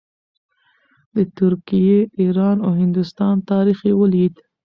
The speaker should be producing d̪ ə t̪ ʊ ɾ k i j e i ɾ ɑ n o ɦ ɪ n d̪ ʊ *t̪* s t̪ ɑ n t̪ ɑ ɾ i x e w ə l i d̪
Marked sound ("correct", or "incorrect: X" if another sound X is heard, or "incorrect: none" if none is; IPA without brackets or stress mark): incorrect: none